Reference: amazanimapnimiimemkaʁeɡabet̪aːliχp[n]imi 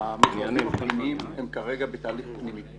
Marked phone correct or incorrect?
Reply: correct